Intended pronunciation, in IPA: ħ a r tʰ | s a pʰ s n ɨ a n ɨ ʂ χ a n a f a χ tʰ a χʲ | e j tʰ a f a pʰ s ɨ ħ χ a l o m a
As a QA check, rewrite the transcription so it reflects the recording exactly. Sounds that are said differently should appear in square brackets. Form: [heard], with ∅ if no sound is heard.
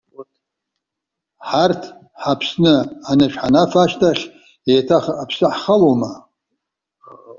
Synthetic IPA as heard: ħ a r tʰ | [ħ] a pʰ s n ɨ a n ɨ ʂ [ħ] a n a f a [ʃ] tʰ a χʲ | e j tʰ a [χ] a pʰ s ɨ ħ χ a l o m a